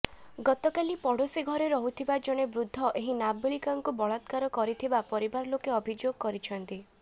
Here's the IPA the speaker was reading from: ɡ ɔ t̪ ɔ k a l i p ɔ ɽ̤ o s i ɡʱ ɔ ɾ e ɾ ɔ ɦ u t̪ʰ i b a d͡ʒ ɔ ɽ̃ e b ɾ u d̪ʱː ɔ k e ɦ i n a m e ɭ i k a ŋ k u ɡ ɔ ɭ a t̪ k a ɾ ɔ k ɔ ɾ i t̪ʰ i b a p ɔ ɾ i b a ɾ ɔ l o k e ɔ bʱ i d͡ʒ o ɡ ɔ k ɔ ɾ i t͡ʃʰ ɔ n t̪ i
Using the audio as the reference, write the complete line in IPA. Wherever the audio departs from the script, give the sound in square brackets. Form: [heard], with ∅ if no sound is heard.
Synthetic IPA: ɡ ɔ t̪ ɔ k a l i p ɔ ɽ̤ o s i ɡʱ ɔ ɾ e ɾ ɔ ɦ u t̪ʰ i b a d͡ʒ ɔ ɽ̃ e b ɾ u d̪ʱː ɔ [ʔ] e ɦ i n a [b] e ɭ i k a ŋ k u [b] ɔ ɭ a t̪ k a ɾ ɔ k ɔ ɾ i t̪ʰ i b a p ɔ ɾ i b a ɾ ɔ l o k e ɔ bʱ i d͡ʒ o ɡ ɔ k ɔ ɾ i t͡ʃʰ ɔ n t̪ i

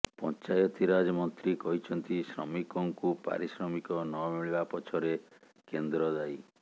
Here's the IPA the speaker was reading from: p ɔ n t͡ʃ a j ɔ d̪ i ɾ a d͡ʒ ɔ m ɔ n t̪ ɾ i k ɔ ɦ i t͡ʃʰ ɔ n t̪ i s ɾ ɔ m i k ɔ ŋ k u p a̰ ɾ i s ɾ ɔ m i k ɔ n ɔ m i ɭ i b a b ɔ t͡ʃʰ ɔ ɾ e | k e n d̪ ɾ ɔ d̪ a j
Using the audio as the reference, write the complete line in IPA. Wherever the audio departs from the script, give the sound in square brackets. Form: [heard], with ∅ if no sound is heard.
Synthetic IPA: p ɔ n t͡ʃ a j ɔ [t̪] i ɾ a d͡ʒ ɔ m ɔ n t̪ ɾ i k ɔ ɦ i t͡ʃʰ ɔ n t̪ i s ɾ ɔ m i k ɔ ŋ k u p a̰ ɾ i s ɾ ɔ m i k ɔ n ɔ m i ɭ i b a [p] ɔ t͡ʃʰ ɔ ɾ e | k e n d̪ ɾ ɔ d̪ a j

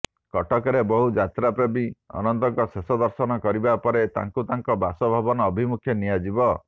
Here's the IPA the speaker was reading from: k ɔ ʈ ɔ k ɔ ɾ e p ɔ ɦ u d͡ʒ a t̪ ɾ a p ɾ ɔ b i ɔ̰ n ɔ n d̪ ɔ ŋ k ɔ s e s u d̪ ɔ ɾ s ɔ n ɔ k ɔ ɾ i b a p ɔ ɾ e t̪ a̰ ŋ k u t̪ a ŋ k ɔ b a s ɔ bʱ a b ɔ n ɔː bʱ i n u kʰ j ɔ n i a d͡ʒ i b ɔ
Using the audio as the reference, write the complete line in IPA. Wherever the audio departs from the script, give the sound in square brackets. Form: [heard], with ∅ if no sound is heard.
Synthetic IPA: k ɔ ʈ ɔ k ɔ ɾ e [b] ɔ ɦ u d͡ʒ a t̪ ɾ a p ɾ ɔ b i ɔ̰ n ɔ n [t̪] ɔ ŋ k ɔ s e s [ɔ] d̪ ɔ ɾ s ɔ n ɔ k ɔ ɾ i b a p ɔ ɾ e t̪ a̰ ŋ k u t̪ a ŋ k ɔ b a s ɔ bʱ a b ɔ n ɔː bʱ i [m] u kʰ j ɔ n i a d͡ʒ i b ɔ

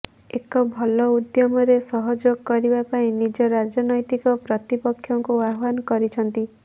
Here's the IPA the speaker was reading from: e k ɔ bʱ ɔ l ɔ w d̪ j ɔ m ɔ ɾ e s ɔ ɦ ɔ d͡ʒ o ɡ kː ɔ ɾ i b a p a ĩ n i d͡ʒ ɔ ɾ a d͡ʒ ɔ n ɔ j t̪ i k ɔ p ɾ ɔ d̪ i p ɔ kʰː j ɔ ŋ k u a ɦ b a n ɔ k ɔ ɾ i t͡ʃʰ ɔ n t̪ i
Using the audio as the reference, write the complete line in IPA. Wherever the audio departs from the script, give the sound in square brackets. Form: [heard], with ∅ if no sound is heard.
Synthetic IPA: e k ɔ bʱ ɔ l ɔ [u] d̪ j ɔ m ɔ ɾ e s ɔ ɦ ɔ d͡ʒ o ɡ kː ɔ ɾ i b a p a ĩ n i d͡ʒ ɔ ɾ a d͡ʒ ɔ n ɔ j t̪ i k ɔ p ɾ ɔ [t̪] i p ɔ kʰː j ɔ ŋ k u a ɦ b a n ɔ k ɔ ɾ i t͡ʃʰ ɔ n t̪ i

